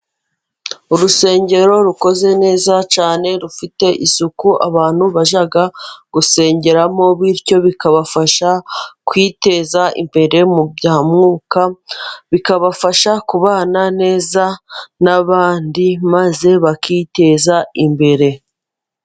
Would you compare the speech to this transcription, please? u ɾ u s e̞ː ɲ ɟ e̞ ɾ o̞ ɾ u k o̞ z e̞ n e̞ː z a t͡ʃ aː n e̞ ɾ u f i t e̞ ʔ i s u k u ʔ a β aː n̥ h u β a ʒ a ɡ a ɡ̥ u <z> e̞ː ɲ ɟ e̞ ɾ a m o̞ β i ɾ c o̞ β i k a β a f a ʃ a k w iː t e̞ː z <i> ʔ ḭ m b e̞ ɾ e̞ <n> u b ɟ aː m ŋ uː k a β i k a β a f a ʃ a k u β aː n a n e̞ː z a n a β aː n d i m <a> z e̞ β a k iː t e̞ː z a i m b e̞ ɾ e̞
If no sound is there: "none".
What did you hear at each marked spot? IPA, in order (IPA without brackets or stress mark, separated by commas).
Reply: s, a, m, a